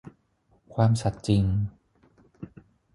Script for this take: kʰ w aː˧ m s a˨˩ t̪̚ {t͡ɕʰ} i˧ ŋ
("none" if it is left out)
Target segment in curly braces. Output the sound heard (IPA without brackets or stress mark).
t͡ɕ